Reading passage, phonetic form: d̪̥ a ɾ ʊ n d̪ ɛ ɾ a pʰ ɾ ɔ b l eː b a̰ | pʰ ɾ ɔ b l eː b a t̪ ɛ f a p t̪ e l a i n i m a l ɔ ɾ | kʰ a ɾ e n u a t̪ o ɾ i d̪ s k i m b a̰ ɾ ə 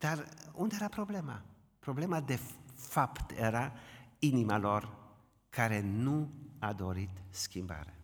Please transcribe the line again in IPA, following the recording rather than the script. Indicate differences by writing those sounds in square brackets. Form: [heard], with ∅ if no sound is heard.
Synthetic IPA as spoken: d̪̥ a ɾ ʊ n d̪ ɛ ɾ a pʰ ɾ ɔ b l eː [m] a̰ | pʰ ɾ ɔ b l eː [m] a [d̪] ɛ f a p t̪ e [ɾ] a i n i m a l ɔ ɾ | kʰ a ɾ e n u a [d̪] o ɾ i [t̪] s k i m b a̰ ɾ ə